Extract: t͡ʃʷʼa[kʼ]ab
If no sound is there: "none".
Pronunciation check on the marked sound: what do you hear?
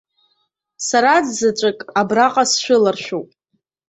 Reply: kʼ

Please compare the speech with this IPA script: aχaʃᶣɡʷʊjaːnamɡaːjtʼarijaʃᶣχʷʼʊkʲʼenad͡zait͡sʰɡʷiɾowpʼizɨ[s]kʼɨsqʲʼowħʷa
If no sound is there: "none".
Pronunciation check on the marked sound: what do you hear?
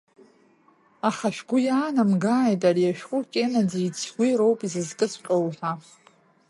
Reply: z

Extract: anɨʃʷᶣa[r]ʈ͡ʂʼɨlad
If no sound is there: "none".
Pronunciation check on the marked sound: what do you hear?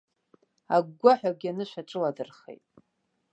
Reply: none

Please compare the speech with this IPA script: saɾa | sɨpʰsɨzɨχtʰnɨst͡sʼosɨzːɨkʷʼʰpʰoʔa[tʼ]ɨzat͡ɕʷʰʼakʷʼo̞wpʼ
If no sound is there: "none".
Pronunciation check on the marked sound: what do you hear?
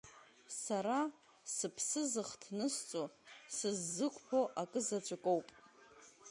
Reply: kʼ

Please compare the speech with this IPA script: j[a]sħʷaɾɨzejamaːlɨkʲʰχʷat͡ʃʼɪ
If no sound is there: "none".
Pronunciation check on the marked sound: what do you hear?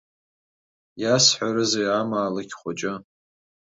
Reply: a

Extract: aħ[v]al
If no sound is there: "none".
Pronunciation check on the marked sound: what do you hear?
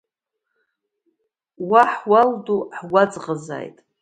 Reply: w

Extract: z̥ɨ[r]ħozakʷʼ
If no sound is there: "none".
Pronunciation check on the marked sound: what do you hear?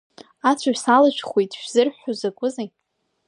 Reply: r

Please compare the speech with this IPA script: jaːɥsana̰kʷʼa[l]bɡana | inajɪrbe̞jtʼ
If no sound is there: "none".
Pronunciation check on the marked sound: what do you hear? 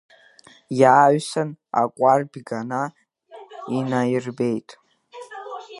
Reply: r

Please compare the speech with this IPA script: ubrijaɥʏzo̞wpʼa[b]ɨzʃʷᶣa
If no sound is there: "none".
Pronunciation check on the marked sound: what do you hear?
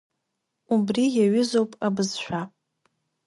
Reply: b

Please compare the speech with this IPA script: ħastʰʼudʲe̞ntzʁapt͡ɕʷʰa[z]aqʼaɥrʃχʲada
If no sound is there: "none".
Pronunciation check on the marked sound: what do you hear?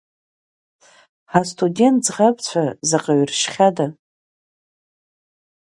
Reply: z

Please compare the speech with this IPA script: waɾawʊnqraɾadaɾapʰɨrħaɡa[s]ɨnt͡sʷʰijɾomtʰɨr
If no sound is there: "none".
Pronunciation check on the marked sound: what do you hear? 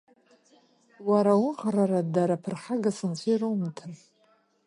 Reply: s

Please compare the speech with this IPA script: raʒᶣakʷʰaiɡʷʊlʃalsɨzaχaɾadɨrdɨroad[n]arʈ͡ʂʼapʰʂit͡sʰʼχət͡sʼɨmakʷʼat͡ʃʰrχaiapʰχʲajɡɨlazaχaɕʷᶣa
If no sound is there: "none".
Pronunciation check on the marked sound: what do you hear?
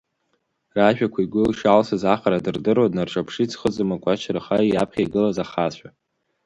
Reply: n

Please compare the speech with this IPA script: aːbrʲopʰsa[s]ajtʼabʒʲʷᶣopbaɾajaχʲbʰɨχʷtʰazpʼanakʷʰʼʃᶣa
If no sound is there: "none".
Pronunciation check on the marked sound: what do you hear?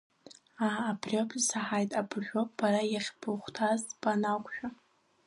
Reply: ħ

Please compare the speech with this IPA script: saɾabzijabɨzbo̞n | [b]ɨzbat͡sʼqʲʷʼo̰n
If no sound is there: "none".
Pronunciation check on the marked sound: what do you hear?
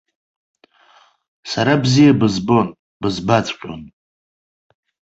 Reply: b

